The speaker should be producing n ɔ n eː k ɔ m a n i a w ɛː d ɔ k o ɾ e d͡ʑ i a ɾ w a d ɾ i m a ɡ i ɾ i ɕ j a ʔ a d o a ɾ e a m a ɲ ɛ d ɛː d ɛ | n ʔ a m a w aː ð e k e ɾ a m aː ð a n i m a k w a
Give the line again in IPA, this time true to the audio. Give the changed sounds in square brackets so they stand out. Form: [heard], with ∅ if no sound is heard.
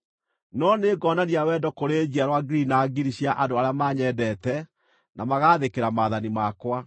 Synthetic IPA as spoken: n ɔ n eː [ɡ] ɔ [n] a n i a w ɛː d ɔ k o ɾ e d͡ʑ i a ɾ w a [ɡ] ɾ i [n] a ɡ i ɾ i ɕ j a ʔ a d o a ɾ e a m a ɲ ɛ d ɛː [t] ɛ | n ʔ a m a [ɣ] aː ð e k e ɾ a m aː ð a n i m a k w a